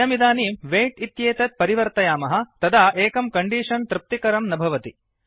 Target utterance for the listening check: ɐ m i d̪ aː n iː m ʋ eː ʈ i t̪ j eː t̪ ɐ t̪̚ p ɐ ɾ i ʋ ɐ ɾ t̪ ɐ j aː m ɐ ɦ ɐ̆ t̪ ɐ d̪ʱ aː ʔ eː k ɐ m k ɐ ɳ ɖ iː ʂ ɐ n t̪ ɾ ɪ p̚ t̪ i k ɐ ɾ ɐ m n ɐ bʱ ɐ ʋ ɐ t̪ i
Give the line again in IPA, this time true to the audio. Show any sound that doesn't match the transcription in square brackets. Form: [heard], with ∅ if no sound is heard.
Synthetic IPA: ɐ m i d̪ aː n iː m ʋ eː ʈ i t̪ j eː t̪ ɐ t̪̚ p ɐ ɾ i ʋ ɐ ɾ t̪ ɐ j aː m ɐ ɦ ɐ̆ t̪ ɐ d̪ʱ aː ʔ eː k ɐ m k ɐ ɳ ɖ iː ʂ ɐ n t̪ ɾ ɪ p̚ t̪ i k ɐ ɾ ɐ m n ɐ bʱ ɐ ʋ ɐ t̪ i